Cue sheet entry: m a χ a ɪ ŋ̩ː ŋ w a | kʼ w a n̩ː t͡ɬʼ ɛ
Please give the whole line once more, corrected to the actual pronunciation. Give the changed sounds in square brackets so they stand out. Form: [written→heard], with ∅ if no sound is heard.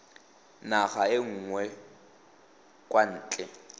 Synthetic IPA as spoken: [m→n] a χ a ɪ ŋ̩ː ŋ w [a→ɛ] | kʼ w a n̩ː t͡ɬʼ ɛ